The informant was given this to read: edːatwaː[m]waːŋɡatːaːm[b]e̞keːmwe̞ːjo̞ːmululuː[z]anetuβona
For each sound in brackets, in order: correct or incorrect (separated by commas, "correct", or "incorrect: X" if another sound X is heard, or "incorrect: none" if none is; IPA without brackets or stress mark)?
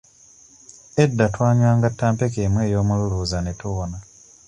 incorrect: ɲ, incorrect: p, correct